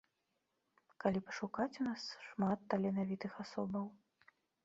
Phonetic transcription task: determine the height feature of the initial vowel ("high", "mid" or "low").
low